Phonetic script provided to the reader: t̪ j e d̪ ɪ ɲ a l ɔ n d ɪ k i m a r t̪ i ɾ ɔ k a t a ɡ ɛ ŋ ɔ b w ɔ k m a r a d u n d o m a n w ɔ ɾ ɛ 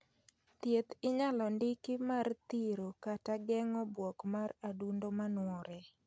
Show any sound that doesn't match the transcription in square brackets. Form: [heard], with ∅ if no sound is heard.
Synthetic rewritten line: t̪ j e [t̪] ɪ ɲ a l ɔ n d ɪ k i m a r t̪ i ɾ [o] k a t a ɡ ɛ ŋ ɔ b w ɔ k m a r a d u n d o m a n w ɔ ɾ ɛ